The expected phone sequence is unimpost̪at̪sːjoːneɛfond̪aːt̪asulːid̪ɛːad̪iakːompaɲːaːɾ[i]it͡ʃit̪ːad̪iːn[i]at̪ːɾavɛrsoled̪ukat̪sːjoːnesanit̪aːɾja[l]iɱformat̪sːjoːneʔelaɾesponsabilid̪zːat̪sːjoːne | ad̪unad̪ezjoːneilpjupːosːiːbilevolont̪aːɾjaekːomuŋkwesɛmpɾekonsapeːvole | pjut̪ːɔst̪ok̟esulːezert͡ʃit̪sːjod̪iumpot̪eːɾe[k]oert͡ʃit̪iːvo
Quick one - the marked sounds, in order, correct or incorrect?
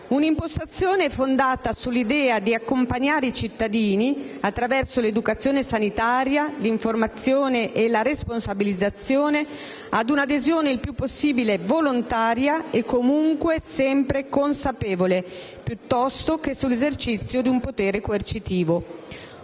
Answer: incorrect, correct, correct, correct

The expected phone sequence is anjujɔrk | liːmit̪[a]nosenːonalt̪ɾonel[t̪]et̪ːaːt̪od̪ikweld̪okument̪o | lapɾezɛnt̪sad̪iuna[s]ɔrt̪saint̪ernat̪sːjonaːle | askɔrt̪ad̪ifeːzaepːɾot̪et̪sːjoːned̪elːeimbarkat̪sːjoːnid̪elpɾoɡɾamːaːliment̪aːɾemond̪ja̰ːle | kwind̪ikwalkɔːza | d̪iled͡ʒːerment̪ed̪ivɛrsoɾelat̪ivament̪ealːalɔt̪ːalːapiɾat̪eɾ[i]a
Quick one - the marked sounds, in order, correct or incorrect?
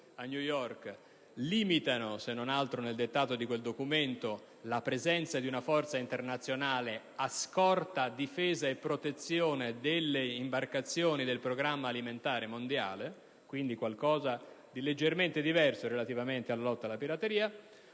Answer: correct, incorrect, incorrect, incorrect

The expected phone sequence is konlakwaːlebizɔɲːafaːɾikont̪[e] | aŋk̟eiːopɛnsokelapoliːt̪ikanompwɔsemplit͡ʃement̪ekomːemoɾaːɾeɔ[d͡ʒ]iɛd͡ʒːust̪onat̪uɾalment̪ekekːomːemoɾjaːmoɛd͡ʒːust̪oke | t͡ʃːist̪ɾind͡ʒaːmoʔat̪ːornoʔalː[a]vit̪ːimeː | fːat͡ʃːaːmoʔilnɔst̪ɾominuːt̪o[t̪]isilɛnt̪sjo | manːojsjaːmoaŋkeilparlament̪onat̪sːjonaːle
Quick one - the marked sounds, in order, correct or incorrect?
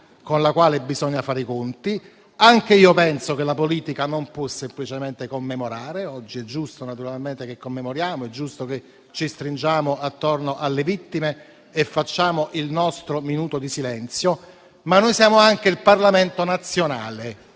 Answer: incorrect, incorrect, incorrect, incorrect

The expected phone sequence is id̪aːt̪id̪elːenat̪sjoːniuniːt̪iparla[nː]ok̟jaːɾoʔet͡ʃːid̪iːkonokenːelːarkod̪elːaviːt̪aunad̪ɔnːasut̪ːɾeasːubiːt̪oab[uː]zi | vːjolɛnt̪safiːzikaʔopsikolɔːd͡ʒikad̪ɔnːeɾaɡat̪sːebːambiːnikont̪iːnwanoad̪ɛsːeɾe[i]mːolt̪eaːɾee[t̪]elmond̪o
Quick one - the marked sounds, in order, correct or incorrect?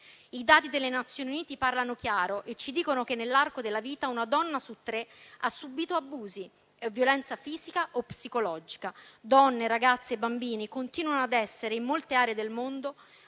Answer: incorrect, correct, correct, incorrect

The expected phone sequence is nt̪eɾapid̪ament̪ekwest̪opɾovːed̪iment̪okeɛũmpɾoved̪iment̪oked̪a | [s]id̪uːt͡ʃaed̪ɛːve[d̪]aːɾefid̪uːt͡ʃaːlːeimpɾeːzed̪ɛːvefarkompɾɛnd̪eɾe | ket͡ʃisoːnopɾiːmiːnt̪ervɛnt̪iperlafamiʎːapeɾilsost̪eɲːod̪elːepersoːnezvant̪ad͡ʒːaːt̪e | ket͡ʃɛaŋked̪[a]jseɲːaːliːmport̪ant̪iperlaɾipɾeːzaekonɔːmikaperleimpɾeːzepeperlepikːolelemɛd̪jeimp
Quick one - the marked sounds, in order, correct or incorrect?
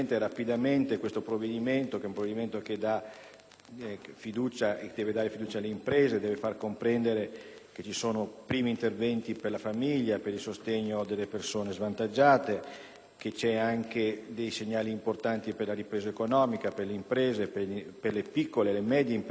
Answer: incorrect, correct, incorrect

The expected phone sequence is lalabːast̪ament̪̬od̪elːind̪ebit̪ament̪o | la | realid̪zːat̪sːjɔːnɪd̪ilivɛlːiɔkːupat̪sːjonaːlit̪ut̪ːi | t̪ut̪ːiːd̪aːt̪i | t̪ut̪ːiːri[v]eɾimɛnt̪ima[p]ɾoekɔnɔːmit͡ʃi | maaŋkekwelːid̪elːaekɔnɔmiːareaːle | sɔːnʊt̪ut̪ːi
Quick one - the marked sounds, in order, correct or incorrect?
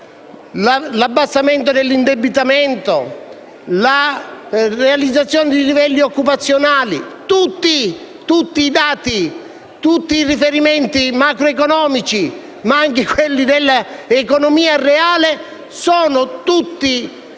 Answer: incorrect, incorrect

